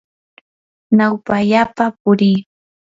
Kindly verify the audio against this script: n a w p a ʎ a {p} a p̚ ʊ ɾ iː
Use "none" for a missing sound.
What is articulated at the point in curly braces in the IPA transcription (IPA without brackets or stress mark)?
p